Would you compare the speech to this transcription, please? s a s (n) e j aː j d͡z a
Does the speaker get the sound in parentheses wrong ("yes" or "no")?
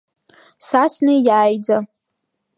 no